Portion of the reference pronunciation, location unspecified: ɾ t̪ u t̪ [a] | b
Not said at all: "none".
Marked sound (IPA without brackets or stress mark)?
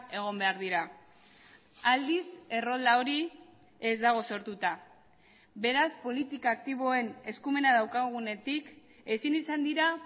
a